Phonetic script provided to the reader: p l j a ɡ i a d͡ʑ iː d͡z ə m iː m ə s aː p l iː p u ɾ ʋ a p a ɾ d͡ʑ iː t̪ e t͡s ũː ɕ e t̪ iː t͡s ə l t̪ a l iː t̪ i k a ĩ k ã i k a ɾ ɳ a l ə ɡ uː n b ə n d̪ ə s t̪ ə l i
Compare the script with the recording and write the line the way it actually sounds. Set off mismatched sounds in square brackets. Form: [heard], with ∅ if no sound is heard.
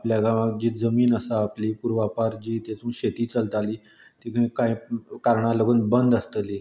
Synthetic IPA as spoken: p l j a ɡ [a] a d͡ʑ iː d͡z ə m iː [n] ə s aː p l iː p u ɾ ʋ a p a ɾ d͡ʑ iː t̪ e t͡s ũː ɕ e t̪ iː t͡s ə l t̪ a l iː t̪ i k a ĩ k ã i k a ɾ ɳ a l ə ɡ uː n b ə n d̪ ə s t̪ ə l i